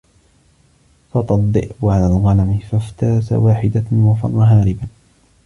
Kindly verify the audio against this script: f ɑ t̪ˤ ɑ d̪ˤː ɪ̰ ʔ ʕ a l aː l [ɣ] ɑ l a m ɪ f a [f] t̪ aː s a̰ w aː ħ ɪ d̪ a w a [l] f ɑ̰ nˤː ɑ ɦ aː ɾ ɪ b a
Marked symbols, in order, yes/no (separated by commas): yes, yes, no